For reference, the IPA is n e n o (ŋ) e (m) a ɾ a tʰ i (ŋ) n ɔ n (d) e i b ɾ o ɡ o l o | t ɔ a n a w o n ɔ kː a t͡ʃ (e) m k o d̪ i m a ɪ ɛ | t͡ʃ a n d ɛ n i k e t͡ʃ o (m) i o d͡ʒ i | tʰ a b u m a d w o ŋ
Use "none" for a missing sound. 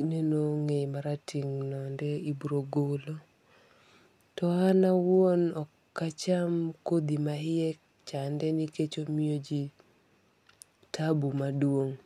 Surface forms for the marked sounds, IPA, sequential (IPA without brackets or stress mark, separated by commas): ŋ, m, ŋ, d, a, m